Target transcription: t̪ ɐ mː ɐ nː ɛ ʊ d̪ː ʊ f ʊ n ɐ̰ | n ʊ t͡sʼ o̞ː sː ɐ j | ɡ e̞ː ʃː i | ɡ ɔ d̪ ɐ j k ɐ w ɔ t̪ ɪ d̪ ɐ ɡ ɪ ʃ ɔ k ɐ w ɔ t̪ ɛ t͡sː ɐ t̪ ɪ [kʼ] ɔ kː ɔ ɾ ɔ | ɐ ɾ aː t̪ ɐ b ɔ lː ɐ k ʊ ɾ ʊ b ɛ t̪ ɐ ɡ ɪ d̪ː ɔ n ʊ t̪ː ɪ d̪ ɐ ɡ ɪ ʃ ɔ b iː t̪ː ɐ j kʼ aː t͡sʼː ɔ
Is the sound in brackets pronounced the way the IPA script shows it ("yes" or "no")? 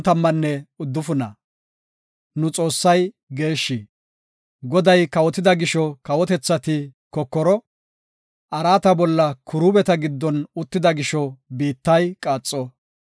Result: no